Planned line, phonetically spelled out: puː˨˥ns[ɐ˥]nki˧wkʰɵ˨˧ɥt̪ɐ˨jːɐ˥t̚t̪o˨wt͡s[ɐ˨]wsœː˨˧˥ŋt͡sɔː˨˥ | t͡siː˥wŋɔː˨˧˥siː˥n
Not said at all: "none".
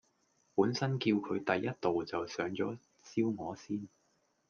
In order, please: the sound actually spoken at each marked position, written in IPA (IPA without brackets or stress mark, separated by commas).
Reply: ɐ˥, ɐ˨